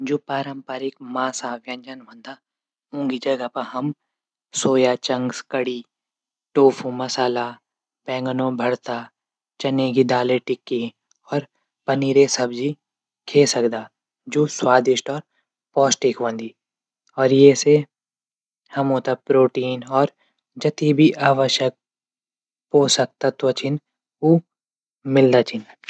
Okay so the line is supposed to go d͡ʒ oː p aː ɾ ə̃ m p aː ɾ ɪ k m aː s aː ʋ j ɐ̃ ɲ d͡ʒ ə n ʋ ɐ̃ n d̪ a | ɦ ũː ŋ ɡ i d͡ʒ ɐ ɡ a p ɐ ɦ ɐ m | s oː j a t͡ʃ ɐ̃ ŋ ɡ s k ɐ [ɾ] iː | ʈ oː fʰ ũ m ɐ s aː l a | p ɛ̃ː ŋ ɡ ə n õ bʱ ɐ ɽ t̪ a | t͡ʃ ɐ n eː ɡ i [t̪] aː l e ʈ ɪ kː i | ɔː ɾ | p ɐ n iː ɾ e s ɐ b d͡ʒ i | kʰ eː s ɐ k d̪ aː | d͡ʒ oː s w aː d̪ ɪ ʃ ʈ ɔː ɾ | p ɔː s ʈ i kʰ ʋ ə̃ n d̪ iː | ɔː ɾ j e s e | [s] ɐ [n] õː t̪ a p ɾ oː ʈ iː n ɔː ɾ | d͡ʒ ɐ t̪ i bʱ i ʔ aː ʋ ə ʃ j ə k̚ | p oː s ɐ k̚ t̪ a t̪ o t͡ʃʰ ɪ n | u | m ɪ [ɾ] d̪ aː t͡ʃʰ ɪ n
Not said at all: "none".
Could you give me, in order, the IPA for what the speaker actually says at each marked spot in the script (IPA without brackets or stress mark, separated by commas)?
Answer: ɽ, d̪, h, m, l